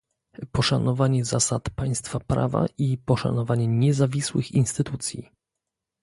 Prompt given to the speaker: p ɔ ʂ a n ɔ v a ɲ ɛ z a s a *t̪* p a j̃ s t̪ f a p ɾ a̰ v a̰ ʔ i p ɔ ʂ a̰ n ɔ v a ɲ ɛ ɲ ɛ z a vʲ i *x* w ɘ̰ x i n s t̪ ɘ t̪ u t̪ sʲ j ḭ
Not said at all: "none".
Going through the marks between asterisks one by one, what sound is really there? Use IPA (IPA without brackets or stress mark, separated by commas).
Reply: t̪, s